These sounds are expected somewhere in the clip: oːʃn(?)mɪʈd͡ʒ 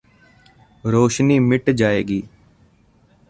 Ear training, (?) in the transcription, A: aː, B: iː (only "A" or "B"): B